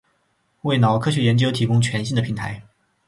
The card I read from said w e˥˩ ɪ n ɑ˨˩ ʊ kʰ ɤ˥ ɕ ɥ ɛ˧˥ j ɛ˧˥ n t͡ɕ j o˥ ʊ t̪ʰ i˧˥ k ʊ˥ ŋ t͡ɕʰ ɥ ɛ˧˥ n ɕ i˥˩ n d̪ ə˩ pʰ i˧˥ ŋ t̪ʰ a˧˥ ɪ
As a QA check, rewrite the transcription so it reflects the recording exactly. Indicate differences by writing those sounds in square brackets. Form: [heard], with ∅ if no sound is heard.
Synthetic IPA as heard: w e˥˩ ɪ n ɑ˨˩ ʊ kʰ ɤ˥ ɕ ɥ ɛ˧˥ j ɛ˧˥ n t͡ɕ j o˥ ʊ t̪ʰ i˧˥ k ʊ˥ ŋ t͡ɕʰ ɥ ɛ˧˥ n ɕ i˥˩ n d̪ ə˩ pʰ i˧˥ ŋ t̪ʰ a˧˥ ɪ